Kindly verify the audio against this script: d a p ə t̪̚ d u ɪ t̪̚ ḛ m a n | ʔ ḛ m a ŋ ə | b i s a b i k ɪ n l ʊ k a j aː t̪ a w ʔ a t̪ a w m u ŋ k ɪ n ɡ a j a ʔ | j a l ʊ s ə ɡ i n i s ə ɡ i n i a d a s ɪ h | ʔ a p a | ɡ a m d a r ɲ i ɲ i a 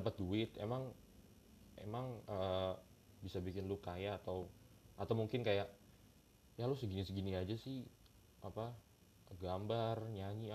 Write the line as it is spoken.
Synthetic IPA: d a p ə t̪̚ d u ɪ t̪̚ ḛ m a ŋ | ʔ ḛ m a ŋ ə | b i s a b i k ɪ n l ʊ k a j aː t̪ a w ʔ a t̪ a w m u ŋ k ɪ n k a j a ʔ | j a l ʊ s ə ɡ i n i s ə ɡ i n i a d͡ʒ a s ɪ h | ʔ a p a | ɡ a m b a r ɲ a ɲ i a